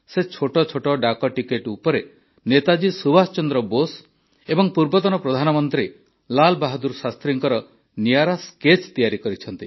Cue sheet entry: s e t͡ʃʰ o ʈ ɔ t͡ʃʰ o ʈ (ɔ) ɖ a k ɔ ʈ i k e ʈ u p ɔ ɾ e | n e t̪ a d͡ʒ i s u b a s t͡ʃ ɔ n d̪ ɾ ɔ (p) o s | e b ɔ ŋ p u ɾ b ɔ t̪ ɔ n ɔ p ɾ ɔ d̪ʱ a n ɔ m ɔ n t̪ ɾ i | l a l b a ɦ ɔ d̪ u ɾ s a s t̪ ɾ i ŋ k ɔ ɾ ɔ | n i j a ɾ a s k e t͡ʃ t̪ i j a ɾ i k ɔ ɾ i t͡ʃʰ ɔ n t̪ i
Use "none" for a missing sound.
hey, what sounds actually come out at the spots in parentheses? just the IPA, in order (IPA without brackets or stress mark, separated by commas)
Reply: ɔ, b